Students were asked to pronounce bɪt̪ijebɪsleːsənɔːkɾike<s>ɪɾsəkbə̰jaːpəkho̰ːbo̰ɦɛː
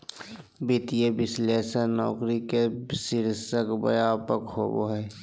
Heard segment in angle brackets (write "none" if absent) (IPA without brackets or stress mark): s